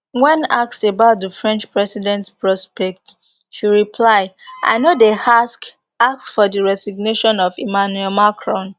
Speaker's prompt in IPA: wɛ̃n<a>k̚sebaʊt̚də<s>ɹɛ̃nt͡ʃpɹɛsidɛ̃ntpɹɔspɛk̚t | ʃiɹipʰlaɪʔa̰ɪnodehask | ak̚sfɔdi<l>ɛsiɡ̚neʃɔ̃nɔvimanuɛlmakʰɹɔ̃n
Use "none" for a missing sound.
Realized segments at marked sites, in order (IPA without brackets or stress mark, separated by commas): a, f, ɹ